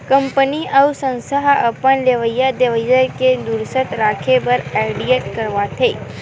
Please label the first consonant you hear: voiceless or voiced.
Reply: voiceless